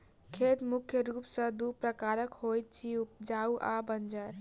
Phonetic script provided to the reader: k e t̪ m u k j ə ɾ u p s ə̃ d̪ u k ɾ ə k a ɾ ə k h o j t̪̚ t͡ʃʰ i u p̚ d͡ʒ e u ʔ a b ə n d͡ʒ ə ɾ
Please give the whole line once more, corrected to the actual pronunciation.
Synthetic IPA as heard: kʰ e t̪ m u kʰ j ə ɾ u p s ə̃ d̪ u p ɾ ə k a ɾ ə k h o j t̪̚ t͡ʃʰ i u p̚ d͡ʒ a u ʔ a b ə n d͡ʒ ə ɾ